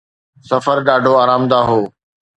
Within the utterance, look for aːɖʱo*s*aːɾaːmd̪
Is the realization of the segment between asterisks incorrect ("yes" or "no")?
yes